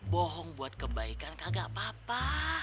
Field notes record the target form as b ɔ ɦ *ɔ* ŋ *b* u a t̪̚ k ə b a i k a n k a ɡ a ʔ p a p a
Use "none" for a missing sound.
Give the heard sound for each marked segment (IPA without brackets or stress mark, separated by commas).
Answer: ɔ, b